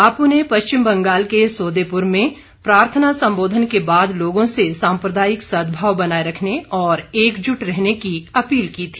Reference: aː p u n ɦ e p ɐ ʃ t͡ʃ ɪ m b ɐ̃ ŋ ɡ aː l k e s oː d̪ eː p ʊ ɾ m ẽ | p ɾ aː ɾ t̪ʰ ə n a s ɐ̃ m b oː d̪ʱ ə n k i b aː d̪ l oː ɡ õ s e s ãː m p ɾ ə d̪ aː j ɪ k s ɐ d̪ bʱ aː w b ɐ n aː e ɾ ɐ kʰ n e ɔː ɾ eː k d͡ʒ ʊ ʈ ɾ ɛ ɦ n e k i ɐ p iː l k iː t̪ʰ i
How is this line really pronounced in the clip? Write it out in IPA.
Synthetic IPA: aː p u n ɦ e p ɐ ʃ t͡ʃ ɪ m b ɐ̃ ŋ ɡ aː l k e s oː d̪ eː p ʊ ɾ m ẽ | p ɾ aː ɾ t̪ʰ ə n a s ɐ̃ m b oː d̪ʱ ə n k e b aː d̪ l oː ɡ õ s e s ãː m p ɾ ə d̪ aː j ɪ k s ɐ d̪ bʱ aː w b ɐ n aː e ɾ ɐ kʰ n e ɔː ɾ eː k d͡ʒ ʊ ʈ ɾ ɛ ɦ n e k i ɐ p iː l k iː t̪ʰ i